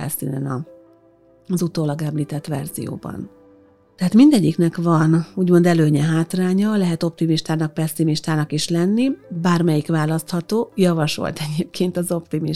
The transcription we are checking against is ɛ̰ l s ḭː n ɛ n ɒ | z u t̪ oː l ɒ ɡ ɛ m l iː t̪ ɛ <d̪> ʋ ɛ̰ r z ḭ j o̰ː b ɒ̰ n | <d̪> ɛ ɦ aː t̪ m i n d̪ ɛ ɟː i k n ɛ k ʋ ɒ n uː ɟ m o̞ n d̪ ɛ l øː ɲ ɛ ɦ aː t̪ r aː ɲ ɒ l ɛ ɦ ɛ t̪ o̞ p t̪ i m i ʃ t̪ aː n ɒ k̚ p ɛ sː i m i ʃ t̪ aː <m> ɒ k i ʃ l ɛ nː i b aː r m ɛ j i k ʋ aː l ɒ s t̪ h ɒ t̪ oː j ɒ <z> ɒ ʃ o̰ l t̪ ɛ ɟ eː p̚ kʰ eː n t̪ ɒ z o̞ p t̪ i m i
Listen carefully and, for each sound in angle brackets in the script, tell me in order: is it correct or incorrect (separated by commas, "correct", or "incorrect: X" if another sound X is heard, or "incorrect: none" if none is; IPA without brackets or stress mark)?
incorrect: t̪, incorrect: t̪, incorrect: n, incorrect: v